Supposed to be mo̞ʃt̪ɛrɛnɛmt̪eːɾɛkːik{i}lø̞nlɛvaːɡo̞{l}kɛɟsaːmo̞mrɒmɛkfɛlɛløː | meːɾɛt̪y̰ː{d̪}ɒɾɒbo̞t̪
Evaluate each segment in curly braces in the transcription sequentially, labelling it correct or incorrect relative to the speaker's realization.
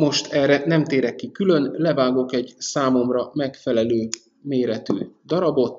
incorrect: y, incorrect: none, correct

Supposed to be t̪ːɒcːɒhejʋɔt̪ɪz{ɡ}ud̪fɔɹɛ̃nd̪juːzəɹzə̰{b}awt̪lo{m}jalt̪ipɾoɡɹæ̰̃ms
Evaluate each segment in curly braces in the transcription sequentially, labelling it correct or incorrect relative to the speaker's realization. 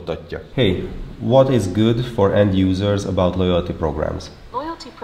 correct, correct, incorrect: none

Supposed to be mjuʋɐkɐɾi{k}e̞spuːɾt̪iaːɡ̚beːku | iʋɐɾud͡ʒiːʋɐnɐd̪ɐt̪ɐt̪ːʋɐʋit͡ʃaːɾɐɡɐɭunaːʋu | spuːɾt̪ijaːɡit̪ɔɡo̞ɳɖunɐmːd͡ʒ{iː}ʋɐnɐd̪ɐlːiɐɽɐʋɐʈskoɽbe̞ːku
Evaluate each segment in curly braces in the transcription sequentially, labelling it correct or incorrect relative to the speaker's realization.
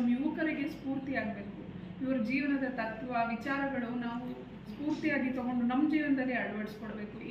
incorrect: ɡ, correct

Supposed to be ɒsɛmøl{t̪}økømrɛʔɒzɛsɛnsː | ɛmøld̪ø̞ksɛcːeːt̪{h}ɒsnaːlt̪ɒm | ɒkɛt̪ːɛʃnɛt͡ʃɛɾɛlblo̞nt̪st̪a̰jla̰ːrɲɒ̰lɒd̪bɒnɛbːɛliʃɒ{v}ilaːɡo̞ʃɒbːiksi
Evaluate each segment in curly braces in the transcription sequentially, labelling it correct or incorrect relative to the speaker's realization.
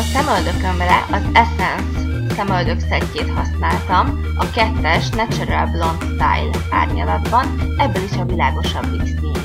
incorrect: d̪, correct, correct

